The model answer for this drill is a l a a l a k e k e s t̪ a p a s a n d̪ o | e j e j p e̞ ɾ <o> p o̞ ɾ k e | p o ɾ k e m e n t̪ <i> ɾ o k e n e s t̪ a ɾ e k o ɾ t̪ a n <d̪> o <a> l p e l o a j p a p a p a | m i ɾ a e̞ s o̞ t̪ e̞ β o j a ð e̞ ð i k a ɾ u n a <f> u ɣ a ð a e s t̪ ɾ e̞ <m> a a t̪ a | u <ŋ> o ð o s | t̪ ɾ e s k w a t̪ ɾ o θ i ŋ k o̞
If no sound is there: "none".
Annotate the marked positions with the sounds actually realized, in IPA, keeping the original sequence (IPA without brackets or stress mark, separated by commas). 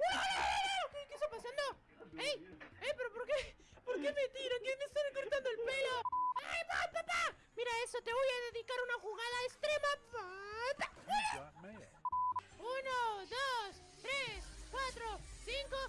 o, i, d̪, e, x, m, n